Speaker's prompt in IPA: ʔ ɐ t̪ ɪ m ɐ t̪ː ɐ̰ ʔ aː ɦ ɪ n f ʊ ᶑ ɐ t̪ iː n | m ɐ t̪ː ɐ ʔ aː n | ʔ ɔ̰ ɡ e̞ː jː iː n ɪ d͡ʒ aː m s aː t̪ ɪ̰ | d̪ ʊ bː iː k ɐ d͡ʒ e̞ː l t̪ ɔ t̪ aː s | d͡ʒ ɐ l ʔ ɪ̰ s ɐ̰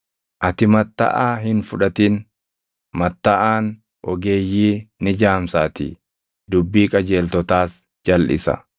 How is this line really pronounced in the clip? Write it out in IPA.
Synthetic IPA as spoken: ʔ ɐ t̪ ɪ m ɐ t̪ː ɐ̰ ʔ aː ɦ ɪ n f ʊ ᶑ ɐ t̪ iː n | m ɐ t̪ː ɐ ʔ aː n | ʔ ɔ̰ ɡ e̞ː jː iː n ɪ d͡ʒ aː m s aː t̪ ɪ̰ | d̪ ʊ bː iː kʼ ɐ d͡ʒ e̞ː l t̪ ɔ t̪ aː s | d͡ʒ ɐ l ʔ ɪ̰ s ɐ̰